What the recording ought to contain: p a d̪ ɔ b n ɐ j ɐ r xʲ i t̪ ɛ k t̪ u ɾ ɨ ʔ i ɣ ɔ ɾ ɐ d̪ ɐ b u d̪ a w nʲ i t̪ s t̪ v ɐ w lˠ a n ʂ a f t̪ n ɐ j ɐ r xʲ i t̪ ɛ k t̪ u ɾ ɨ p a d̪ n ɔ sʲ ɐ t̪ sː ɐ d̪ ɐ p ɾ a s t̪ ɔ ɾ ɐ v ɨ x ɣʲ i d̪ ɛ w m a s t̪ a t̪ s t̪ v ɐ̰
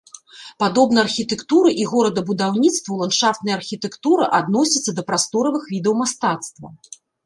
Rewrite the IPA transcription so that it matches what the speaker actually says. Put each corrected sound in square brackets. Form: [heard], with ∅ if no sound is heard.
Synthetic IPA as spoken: p a d̪ ɔ b n ɐ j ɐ r xʲ i t̪ ɛ k t̪ u ɾ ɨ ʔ i ɣ ɔ ɾ ɐ d̪ ɐ b u d̪ a w nʲ i t̪ s t̪ v ɐ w lˠ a n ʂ a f t̪ n ɐ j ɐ r xʲ i t̪ ɛ k t̪ u ɾ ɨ [ʔ] a d̪ n ɔ sʲ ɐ t̪ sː ɐ d̪ ɐ p ɾ a s t̪ ɔ ɾ ɐ v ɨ x [vʲ] i d̪ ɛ w m a s t̪ a t̪ s t̪ v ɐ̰